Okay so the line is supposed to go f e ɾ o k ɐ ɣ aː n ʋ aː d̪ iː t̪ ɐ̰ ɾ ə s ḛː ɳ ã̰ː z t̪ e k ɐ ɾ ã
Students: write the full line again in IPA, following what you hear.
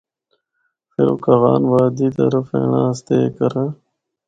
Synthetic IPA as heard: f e ɾ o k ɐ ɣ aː n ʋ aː d̪ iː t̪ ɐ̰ ɾ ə f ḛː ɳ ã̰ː s t̪ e k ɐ ɾ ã